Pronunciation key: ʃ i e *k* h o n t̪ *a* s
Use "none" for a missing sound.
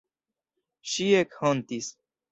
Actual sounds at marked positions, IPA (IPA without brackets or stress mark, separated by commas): k, i